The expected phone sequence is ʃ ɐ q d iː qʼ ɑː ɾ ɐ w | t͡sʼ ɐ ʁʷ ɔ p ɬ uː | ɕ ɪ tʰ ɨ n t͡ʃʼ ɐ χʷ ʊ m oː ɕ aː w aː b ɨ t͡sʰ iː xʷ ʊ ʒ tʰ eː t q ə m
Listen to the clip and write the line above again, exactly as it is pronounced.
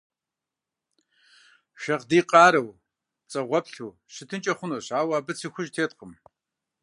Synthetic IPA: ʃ ɐ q d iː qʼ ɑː ɾ ɐ w | t͡sʼ ɐ ʁʷ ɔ p ɬ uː | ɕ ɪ tʰ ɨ n t͡ʃʼ ɐ χʷ ʊ n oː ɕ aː w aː b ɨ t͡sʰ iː xʷ ʊ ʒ tʰ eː t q ə m